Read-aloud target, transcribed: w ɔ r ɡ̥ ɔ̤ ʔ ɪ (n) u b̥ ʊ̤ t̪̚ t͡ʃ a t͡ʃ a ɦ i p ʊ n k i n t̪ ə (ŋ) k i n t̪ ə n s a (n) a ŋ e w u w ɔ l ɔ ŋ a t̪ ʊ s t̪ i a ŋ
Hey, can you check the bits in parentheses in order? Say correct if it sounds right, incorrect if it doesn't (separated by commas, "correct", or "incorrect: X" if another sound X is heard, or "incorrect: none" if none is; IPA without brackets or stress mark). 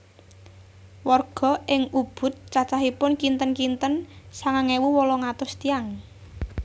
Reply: incorrect: ŋ, incorrect: n, incorrect: ŋ